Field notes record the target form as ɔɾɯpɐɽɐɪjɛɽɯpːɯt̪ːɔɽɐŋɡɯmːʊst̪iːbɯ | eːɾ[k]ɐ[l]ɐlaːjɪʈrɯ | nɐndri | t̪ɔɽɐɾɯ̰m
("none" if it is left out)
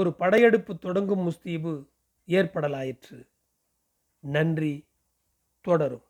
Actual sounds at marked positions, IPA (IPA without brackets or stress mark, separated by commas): p, ɽ